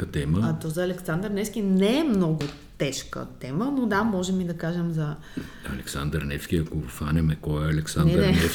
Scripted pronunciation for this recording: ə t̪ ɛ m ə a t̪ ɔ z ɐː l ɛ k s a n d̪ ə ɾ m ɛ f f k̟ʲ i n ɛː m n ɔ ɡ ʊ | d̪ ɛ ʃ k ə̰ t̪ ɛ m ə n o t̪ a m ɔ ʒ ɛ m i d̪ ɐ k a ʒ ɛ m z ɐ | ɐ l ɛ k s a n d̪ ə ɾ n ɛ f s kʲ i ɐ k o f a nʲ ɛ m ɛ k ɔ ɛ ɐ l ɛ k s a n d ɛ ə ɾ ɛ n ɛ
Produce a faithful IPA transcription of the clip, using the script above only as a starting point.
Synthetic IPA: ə t̪ ɛ m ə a t̪ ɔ z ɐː l ɛ k s a n d̪ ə ɾ n ɛ f s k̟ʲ i n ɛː m n ɔ ɡ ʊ | t̪ ɛ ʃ k ə̰ t̪ ɛ m ə n o d̪ a m ɔ ʒ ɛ m i d̪ ɐ k a ʒ ɛ m z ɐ | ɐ l ɛ k s a n d̪ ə ɾ n ɛ f s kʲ i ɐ k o f a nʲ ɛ m ɛ k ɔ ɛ ɐ l ɛ k s a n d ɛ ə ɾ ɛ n ɛ